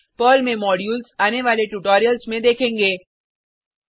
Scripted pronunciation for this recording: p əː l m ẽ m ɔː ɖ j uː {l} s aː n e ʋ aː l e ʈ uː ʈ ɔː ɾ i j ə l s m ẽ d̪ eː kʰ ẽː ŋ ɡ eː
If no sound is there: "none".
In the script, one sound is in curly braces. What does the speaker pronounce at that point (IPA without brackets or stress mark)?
l